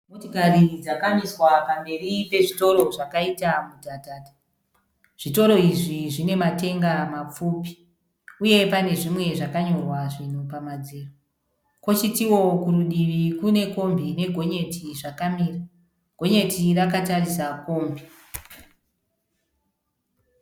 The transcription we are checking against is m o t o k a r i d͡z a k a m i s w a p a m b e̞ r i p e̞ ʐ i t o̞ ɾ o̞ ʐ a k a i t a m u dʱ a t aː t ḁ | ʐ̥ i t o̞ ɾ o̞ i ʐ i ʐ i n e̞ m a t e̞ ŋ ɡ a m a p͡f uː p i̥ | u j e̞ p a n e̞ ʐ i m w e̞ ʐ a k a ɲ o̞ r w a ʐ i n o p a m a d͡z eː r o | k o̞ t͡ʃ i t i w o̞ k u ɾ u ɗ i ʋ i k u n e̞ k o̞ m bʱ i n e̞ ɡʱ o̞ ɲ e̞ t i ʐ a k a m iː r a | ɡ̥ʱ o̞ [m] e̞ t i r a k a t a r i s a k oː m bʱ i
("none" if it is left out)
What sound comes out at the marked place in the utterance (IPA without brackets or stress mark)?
ɲ